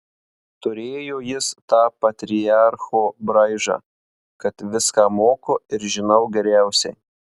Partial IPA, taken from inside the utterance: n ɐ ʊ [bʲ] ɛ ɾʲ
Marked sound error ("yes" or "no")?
yes